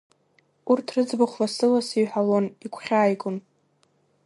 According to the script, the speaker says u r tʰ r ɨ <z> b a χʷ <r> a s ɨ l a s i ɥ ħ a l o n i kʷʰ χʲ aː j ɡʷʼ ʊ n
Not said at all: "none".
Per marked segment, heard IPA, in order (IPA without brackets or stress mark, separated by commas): d͡z, l